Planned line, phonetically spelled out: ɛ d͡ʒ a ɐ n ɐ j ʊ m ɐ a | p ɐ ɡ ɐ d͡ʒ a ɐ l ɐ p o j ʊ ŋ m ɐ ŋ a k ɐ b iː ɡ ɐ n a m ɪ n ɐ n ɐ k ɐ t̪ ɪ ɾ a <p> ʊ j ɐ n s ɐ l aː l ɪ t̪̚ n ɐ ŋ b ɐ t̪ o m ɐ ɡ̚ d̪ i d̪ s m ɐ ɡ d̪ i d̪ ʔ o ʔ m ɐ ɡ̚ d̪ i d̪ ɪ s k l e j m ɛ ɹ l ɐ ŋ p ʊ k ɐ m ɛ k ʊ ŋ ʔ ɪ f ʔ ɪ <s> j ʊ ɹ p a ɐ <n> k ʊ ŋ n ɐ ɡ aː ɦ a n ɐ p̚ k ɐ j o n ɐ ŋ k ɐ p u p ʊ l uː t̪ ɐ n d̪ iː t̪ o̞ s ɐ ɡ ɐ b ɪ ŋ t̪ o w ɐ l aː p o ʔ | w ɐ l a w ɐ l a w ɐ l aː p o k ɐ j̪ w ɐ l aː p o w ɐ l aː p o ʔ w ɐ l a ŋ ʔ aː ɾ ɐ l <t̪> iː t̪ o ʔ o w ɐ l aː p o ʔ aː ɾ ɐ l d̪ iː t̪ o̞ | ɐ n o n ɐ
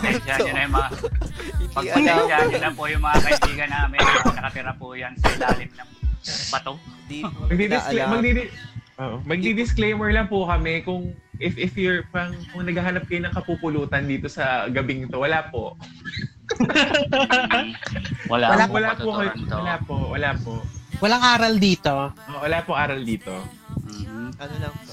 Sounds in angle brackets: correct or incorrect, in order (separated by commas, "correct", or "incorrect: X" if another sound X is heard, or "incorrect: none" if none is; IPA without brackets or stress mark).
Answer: correct, incorrect: f, incorrect: ŋ, incorrect: d̪